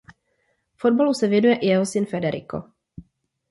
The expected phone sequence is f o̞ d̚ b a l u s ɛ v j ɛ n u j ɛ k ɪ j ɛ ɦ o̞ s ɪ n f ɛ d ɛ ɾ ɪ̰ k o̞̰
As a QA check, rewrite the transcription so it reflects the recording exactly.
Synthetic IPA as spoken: f o̞ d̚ b a l u s ɛ v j ɛ n u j ɛ ʔ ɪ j ɛ ɦ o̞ s ɪ n f ɛ d ɛ ɾ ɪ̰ k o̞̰